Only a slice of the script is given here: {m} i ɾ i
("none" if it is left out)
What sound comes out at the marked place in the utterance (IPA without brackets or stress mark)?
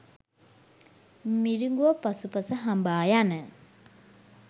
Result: m